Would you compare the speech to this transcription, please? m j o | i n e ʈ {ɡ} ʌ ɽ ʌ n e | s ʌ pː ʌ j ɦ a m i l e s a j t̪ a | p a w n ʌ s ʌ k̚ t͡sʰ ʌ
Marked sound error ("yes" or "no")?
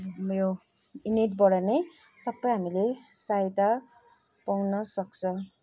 yes